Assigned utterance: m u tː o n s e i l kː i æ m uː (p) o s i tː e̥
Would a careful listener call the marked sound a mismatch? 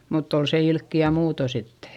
yes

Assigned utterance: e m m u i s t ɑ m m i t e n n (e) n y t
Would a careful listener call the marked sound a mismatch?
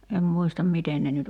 no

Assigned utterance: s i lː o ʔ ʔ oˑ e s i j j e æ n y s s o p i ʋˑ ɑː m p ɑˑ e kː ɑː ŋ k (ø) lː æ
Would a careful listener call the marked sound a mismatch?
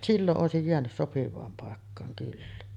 yes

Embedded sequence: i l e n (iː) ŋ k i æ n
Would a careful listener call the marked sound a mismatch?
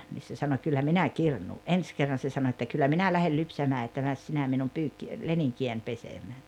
yes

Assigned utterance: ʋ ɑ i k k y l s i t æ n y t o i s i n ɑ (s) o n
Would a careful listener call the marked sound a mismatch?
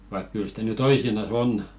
no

